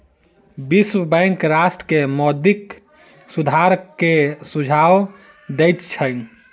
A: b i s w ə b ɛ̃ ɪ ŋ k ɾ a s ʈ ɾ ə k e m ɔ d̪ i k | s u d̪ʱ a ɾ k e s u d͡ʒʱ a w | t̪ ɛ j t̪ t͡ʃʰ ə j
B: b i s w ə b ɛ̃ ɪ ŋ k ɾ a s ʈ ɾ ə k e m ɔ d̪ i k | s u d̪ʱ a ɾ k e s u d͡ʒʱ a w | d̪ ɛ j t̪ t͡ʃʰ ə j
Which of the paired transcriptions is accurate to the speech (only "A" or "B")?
B